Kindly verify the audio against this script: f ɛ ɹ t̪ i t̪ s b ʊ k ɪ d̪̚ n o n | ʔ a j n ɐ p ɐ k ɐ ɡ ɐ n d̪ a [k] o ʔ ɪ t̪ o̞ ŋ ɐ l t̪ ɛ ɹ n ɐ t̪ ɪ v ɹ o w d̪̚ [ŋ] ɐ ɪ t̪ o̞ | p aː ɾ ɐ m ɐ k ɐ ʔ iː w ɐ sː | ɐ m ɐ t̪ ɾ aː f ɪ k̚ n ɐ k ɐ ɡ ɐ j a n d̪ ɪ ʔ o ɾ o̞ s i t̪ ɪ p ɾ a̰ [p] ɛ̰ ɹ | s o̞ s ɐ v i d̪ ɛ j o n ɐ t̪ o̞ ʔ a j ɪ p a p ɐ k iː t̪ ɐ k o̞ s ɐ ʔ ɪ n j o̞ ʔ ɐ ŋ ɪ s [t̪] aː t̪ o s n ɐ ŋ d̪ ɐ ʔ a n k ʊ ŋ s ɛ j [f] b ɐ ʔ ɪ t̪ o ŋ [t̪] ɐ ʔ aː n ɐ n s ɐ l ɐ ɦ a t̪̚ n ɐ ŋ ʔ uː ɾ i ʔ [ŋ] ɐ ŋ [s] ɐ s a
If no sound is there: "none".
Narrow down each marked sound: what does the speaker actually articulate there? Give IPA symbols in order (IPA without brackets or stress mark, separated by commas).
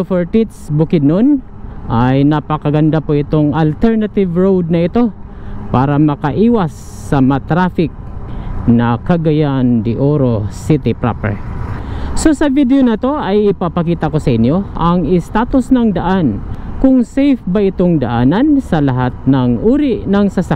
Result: p, n, p, t̪, f, d̪, n, s